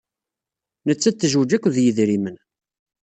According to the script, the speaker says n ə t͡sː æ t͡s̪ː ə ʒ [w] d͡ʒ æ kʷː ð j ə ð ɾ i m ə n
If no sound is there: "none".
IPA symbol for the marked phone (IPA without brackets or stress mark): w